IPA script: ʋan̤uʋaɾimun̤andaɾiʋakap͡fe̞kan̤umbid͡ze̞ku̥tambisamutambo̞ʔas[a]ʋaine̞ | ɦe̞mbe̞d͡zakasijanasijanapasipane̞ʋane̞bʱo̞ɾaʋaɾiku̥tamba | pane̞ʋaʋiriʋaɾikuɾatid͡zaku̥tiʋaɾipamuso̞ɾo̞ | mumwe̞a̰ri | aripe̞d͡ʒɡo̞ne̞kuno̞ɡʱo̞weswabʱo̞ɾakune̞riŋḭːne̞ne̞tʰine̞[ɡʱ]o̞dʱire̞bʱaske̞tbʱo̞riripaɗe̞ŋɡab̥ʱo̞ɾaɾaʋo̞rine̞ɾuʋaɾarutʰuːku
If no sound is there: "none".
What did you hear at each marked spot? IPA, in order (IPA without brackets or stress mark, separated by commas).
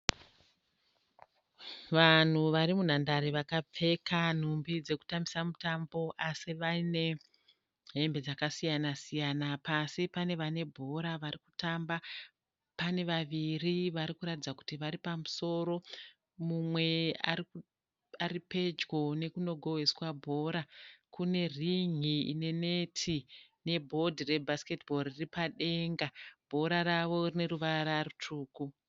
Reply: i, bʱ